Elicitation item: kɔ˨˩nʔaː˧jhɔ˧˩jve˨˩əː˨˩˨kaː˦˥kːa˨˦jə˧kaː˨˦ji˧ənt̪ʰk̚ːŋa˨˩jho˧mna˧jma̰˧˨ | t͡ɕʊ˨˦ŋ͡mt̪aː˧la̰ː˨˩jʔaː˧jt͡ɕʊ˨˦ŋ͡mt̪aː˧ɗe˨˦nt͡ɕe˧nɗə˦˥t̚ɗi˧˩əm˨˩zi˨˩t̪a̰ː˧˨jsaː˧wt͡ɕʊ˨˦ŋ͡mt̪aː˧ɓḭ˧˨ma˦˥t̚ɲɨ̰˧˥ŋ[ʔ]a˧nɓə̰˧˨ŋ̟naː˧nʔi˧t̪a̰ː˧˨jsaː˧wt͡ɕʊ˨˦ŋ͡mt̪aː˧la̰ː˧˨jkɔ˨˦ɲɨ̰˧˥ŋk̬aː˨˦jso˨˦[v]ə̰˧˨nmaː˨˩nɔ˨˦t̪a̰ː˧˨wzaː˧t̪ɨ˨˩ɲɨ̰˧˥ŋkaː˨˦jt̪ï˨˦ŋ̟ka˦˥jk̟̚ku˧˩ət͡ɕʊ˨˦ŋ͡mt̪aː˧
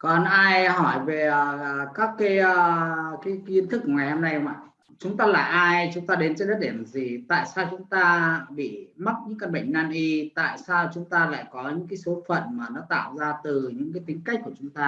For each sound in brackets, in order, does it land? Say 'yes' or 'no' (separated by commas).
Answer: no, no